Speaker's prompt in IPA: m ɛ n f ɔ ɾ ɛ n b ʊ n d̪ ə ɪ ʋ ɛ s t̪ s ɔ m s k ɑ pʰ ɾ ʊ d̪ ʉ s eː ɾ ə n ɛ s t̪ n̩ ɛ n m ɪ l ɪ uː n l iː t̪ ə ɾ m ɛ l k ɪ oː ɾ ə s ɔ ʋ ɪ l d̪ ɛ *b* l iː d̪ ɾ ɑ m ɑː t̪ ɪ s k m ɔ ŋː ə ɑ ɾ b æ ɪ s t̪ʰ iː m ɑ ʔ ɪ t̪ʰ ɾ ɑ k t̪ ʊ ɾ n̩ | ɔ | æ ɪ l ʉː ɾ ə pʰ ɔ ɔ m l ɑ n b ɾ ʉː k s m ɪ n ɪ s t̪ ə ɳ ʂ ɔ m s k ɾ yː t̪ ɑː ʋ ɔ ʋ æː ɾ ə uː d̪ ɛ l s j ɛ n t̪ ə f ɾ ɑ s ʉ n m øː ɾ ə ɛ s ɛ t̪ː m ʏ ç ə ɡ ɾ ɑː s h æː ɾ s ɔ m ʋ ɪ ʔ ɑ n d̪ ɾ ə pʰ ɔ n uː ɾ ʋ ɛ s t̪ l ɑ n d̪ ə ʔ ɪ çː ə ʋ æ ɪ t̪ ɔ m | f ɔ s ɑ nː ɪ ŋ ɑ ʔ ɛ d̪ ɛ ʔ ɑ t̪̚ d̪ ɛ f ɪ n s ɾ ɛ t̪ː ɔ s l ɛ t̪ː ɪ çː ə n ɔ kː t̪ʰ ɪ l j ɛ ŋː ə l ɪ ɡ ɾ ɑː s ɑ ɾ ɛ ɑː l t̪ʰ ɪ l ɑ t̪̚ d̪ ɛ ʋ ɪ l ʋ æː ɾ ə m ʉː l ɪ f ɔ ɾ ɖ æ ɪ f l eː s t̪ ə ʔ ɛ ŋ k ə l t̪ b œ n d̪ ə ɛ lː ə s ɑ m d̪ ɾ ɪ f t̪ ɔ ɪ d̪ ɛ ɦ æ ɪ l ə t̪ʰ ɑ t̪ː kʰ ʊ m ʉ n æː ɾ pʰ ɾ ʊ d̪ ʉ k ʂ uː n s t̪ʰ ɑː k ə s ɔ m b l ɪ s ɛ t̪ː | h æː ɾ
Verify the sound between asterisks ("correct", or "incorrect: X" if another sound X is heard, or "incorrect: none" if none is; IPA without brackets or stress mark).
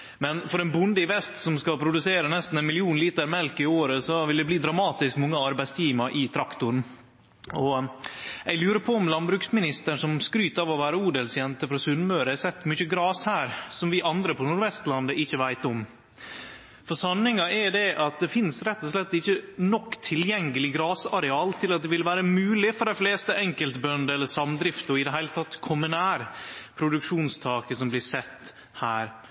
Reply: correct